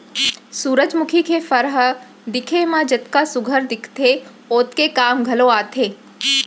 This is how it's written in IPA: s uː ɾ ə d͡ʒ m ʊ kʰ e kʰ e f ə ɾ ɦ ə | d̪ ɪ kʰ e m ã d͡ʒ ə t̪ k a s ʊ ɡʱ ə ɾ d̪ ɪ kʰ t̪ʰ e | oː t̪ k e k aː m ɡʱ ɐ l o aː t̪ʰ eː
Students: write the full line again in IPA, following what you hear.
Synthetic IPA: s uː ɾ ə d͡ʒ m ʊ kʰ i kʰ e f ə ɾ ɦ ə | d̪ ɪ kʰ e m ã d͡ʒ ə t̪ k a s ʊ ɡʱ ə ɾ d̪ ɪ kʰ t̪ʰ e | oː t̪ k e k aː m ɡʱ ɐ l o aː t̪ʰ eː